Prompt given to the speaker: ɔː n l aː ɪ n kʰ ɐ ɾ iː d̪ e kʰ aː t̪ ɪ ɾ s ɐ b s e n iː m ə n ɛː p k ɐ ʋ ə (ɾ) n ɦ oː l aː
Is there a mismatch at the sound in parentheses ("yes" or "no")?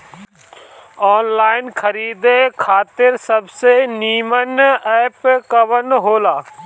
yes